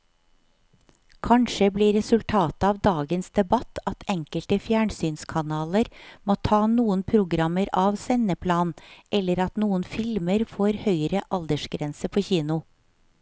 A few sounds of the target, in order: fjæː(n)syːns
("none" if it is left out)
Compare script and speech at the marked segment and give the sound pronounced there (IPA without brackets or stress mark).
ɳ